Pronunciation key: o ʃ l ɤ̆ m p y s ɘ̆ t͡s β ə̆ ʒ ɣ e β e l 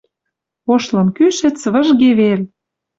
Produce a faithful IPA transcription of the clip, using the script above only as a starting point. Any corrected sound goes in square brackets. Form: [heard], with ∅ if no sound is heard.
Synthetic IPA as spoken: o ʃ l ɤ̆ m [k] y [ʃ] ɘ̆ t͡s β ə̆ ʒ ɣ e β e l